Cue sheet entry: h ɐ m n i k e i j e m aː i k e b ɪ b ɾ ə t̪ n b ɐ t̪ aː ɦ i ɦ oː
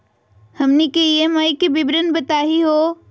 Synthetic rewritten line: h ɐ m n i k e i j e m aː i k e b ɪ b ɾ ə n b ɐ t̪ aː ɦ i ɦ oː